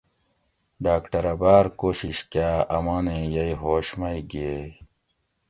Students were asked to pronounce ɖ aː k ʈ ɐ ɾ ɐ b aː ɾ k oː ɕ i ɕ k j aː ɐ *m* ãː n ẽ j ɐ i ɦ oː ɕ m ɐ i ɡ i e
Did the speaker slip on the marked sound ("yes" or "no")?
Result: no